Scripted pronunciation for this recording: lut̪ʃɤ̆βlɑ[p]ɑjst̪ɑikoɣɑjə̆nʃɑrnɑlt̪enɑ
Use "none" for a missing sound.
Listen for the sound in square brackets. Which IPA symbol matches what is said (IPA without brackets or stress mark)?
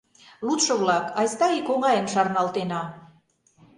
k